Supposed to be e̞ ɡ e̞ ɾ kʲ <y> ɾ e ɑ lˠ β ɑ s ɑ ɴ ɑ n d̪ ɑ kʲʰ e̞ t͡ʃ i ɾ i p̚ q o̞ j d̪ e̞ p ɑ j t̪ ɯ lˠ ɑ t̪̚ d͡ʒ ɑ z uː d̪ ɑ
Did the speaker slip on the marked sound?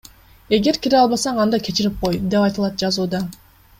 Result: yes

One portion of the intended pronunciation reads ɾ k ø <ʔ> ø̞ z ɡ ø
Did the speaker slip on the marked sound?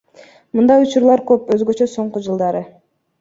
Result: yes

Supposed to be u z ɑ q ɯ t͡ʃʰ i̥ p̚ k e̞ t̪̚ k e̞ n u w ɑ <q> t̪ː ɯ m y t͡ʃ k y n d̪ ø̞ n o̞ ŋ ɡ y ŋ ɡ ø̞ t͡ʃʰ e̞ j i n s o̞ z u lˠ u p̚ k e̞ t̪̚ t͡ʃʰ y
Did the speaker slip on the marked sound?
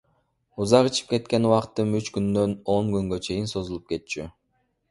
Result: no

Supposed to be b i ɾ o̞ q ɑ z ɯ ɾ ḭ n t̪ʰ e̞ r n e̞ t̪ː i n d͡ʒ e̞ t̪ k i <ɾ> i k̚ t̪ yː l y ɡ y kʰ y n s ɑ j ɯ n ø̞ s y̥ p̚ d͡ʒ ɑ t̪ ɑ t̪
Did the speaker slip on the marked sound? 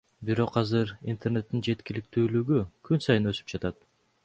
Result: yes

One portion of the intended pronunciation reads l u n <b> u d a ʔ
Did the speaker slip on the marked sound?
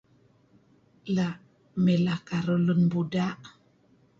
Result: no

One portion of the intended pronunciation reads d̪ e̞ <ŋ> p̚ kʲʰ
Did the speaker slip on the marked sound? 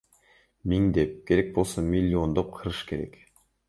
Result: yes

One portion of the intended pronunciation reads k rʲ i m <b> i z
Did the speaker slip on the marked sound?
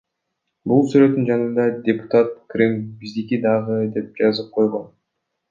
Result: no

